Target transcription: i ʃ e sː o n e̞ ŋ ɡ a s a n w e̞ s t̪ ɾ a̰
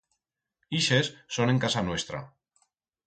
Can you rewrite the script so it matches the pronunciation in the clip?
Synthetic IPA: i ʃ e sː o n e̞ ŋ k a s a n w e̞ s t̪ ɾ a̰